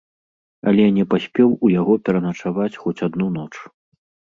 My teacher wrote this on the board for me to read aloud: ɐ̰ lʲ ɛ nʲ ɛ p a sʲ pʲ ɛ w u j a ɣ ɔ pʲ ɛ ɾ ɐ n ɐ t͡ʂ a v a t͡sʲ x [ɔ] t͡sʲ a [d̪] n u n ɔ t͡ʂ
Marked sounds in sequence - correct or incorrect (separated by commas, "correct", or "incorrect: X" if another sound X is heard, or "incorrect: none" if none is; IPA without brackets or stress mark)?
correct, correct